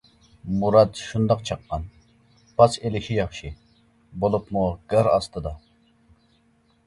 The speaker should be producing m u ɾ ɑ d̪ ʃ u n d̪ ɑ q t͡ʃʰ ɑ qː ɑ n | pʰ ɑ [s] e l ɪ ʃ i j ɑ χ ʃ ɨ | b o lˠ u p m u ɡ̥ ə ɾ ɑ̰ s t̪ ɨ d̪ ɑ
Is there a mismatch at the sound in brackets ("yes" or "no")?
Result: no